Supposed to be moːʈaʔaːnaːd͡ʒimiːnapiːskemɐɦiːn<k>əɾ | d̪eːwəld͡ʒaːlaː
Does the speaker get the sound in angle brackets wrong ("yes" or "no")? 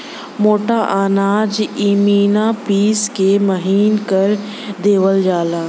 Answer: no